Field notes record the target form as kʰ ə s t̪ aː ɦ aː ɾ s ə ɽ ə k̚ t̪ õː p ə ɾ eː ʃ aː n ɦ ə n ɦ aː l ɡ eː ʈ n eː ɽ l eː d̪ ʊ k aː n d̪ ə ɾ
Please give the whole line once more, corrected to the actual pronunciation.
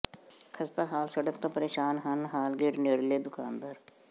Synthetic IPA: kʰ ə s t̪ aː ɦ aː l s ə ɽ ə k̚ t̪ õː p ə ɾ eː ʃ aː n ɦ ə n ɦ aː l ɡ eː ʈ n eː ɽ l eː d̪ ʊ k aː n d̪ ə ɾ

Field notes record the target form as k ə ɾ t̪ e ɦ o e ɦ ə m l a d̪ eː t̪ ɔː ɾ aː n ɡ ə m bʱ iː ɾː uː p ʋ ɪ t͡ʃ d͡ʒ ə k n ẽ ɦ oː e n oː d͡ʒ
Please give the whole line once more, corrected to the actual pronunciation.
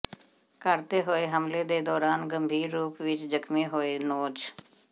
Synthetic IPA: k ə ɾ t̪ e ɦ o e ɦ ə m l e d̪ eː d̪ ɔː ɾ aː n ɡ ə m bʱ iː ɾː uː p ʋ ɪ t͡ʃ d͡ʒ ə k m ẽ ɦ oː e n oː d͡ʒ

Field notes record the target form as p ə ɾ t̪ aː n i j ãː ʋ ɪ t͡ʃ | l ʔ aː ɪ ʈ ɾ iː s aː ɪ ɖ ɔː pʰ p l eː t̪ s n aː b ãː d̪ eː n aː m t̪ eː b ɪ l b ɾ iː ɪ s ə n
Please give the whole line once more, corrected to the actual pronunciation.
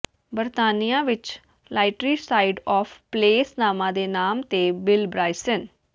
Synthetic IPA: b ə ɾ t̪ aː n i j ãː ʋ ɪ t͡ʃ | l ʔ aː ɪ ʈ ɾ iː s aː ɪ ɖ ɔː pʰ p l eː s n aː m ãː d̪ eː n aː m t̪ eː b ɪ l b ɾ aː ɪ s ə n

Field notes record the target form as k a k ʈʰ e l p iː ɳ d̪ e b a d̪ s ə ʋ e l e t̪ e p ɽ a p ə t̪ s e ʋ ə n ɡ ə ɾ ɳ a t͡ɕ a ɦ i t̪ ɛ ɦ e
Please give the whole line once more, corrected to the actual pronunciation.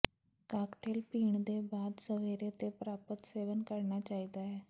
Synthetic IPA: k a k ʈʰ e l p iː ɳ d̪ e b a d̪ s ə ʋ e ɾ e t̪ e p ɾ a p ə t̪ s e ʋ ə n k ə ɾ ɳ a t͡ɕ a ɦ i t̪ a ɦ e

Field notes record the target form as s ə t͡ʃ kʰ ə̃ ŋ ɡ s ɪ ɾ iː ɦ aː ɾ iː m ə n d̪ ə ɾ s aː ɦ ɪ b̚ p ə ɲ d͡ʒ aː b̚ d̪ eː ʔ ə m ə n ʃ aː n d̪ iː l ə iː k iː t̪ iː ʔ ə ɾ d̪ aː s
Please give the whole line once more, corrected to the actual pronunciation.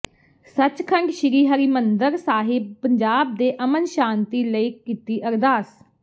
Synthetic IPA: s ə t͡ʃ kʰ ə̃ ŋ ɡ ʃ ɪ ɾ iː ɦ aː ɾ iː m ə n d̪ ə ɾ s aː ɦ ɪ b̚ p ə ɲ d͡ʒ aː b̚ d̪ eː ʔ ə m ə n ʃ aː n t̪ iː l ə iː k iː t̪ iː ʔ ə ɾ d̪ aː s

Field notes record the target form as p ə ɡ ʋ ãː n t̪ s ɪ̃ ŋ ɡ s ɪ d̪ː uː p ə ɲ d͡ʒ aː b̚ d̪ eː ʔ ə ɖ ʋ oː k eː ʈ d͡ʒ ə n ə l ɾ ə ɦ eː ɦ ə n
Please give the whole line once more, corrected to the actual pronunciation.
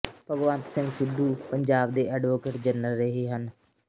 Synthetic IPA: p ə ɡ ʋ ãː n t̪ s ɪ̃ ŋ ɡ s ɪ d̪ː uː p ə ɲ d͡ʒ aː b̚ d̪ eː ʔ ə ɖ ʋ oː k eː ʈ d͡ʒ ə n ə l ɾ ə ɦ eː ɦ ə n

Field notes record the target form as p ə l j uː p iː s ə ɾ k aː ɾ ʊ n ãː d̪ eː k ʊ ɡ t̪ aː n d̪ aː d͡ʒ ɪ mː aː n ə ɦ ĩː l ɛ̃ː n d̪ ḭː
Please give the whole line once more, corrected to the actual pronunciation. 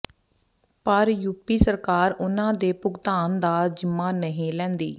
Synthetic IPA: p ə ɾ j uː p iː s ə ɾ k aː ɾ ʊ n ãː d̪ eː p ʊ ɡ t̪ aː n d̪ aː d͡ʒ ɪ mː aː n ə ɦ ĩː l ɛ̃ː n d̪ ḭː

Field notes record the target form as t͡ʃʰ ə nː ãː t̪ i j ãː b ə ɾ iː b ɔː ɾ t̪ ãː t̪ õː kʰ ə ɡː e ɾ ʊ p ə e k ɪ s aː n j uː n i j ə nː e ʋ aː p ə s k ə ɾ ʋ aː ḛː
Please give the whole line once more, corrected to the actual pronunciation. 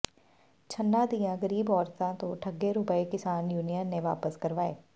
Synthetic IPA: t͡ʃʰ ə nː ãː d̪ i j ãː ɡ ə ɾ iː b ɔː ɾ t̪ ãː t̪ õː ʈʰ ə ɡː e ɾ ʊ p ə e k ɪ s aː n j uː n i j ə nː e ʋ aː p ə s k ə ɾ ʋ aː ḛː

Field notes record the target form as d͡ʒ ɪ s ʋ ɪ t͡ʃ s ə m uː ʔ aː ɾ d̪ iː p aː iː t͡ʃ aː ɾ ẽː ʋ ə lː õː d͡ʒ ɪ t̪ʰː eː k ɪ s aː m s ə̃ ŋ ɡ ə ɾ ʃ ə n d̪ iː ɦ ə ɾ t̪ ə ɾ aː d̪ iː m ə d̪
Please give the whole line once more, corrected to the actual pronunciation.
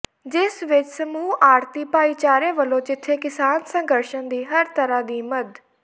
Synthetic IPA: d͡ʒ ɪ s ʋ ɪ t͡ʃ s ə m uː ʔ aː ɾ t̪ iː p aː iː t͡ʃ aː ɾ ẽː ʋ ə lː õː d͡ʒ ɪ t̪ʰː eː k ɪ s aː n s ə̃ ŋ ɡ ə ɾ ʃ ə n d̪ iː ɦ ə ɾ t̪ ə ɾ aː d̪ iː m ə d̪

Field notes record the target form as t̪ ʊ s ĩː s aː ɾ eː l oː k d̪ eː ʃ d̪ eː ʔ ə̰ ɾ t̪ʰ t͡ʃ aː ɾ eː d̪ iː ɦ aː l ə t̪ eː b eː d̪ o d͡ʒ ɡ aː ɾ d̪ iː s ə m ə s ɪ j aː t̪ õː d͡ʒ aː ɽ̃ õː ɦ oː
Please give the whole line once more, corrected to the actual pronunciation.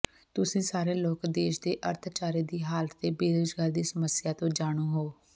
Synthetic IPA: t̪ ʊ s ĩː s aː ɾ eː l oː k d̪ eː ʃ d̪ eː ʔ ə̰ ɾ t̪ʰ t͡ʃ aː ɾ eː d̪ iː ɦ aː l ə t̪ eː b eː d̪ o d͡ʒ ɡ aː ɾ d̪ iː s ə m ə s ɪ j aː t̪ õː d͡ʒ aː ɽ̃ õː ɦ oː

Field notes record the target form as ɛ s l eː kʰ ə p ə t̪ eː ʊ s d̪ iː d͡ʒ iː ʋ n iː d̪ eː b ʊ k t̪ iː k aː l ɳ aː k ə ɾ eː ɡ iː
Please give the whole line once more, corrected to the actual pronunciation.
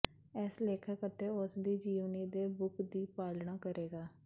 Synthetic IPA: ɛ s l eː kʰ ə k ə t̪ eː ʊ s d̪ iː d͡ʒ iː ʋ n iː d̪ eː b ʊ k d̪ iː p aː l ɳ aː k ə ɾ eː ɡ aː

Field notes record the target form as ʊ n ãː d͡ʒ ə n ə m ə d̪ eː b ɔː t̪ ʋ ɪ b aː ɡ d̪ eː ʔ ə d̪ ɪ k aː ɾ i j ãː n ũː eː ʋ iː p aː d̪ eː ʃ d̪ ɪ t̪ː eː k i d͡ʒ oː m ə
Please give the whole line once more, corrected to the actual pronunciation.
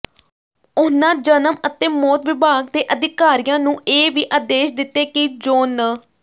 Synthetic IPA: ʊ n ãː d͡ʒ ə n ə m ə t̪ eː m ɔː t̪ ʋ ɪ b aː ɡ d̪ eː ʔ ə d̪ ɪ k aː ɾ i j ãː n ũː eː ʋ iː ʔ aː d̪ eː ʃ d̪ ɪ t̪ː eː k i d͡ʒ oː n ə

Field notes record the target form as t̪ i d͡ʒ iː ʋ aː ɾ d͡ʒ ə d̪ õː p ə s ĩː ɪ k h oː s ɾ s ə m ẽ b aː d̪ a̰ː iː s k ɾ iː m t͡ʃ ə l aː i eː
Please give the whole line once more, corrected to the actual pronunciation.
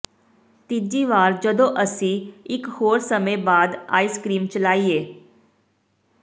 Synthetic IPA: t̪ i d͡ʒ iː ʋ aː ɾ d͡ʒ ə d̪ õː ʔ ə s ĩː ɪ k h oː ɾ s ə m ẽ b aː d̪ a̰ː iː s k ɾ iː m t͡ʃ ə l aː i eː

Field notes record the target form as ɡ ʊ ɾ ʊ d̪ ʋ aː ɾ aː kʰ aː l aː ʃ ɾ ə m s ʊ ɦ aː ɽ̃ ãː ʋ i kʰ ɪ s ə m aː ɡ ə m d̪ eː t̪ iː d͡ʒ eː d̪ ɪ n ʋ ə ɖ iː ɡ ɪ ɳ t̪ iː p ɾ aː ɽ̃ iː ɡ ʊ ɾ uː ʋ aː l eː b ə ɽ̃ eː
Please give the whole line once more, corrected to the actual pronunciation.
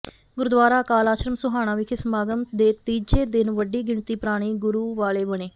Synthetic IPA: ɡ ʊ ɾ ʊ d̪ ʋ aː ɾ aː k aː l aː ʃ ɾ ə m s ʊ ɦ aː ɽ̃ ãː ʋ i kʰ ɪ s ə m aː ɡ ə m d̪ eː t̪ iː d͡ʒ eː d̪ ɪ n ʋ ə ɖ iː ɡ ɪ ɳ t̪ iː p ɾ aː ɽ̃ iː ɡ ʊ ɾ uː ʋ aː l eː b ə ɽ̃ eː

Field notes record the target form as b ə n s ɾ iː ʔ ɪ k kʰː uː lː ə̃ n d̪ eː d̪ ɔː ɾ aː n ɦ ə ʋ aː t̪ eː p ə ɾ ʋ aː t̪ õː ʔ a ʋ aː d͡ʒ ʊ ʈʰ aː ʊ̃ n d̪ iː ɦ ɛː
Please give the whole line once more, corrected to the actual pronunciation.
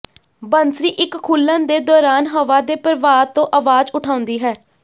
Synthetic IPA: b ə n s ɾ iː ʔ ɪ k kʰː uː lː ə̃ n d̪ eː d̪ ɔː ɾ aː n ɦ ə ʋ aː d̪ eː p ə ɾ ʋ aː t̪ õː ʔ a ʋ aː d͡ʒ ʊ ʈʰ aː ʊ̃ n d̪ iː ɦ ɛː

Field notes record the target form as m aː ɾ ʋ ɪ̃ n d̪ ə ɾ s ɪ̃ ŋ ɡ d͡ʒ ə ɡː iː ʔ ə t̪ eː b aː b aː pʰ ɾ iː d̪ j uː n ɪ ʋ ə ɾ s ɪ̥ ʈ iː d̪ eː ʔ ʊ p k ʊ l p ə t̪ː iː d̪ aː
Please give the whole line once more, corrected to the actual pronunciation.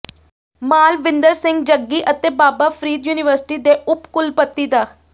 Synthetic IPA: m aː l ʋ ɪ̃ n d̪ ə ɾ s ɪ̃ ŋ ɡ d͡ʒ ə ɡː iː ʔ ə t̪ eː b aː b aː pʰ ɾ iː d̪ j uː n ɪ ʋ ə ɾ s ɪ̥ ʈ iː d̪ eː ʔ ʊ p k ʊ l p ə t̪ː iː d̪ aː

